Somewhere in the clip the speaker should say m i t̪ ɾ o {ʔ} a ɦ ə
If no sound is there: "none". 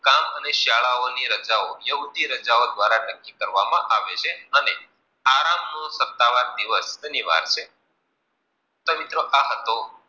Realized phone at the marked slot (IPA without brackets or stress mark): ʔ